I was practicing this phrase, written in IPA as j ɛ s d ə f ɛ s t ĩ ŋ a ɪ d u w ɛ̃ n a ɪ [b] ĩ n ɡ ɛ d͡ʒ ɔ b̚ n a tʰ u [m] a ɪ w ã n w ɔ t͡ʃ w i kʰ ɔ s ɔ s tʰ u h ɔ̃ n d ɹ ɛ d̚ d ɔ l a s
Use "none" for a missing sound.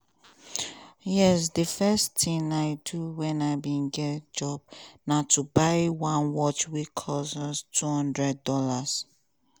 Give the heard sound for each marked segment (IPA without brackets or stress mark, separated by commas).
b, b